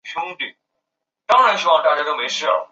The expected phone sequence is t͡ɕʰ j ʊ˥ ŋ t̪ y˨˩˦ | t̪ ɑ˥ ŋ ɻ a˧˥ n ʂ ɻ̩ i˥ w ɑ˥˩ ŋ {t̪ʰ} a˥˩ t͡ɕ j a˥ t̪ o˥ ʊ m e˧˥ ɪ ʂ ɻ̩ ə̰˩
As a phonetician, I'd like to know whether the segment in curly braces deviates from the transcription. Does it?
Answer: yes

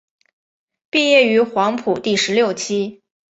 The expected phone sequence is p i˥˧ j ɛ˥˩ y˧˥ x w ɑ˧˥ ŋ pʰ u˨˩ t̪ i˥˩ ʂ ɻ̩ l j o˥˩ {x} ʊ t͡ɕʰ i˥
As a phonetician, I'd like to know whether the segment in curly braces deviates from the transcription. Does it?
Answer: yes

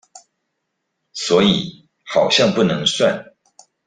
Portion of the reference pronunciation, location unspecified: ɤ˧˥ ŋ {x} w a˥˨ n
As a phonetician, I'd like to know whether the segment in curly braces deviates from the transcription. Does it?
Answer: yes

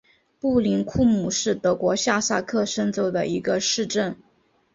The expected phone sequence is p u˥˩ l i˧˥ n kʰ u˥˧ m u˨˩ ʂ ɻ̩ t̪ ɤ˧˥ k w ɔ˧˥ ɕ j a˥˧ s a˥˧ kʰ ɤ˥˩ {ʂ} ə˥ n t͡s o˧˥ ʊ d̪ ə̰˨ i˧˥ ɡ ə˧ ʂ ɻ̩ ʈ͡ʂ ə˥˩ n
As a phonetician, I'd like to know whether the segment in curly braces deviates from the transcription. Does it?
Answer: no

